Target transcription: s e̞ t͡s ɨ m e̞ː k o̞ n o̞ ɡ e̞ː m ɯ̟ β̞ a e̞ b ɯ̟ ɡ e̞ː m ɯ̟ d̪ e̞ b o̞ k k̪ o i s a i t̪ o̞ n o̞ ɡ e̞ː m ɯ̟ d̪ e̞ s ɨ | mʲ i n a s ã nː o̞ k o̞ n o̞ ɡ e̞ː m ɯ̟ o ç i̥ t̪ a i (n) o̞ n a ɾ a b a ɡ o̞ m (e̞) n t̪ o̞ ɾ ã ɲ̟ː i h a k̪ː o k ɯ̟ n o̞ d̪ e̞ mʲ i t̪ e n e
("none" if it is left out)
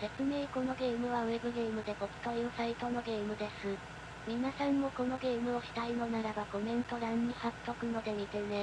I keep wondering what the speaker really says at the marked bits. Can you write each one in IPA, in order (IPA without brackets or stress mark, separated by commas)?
n, ẽ̞